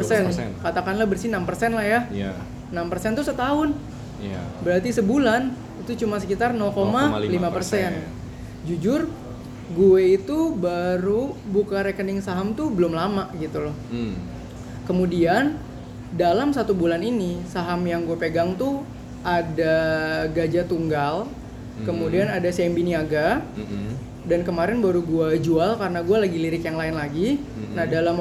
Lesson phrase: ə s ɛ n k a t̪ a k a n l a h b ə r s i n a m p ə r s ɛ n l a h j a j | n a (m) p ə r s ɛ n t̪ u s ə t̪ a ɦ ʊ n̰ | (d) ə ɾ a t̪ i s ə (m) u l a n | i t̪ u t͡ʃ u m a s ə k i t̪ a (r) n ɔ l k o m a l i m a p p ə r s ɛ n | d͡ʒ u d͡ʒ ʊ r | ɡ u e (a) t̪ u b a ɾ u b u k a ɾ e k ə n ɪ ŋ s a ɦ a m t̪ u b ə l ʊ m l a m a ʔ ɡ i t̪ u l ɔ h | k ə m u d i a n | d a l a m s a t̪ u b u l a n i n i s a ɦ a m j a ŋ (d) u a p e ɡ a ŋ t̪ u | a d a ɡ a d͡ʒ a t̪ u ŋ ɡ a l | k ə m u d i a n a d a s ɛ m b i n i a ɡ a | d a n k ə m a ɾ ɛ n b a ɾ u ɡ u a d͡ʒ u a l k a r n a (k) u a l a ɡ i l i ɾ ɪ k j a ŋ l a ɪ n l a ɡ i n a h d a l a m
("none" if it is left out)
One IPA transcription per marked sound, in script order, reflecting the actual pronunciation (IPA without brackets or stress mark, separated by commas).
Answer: m, b, b, r, i, ɡ, ɡ